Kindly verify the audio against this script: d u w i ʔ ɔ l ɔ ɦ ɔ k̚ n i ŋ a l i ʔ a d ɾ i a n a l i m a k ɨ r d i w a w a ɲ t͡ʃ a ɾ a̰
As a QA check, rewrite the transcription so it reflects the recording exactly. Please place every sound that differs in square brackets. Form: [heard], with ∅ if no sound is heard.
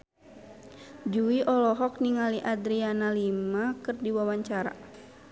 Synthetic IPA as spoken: [d͡ʒ] u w i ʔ ɔ l ɔ ɦ ɔ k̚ n i ŋ a l i ʔ a d ɾ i a n a l i m a k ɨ r d i w a w a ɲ t͡ʃ a ɾ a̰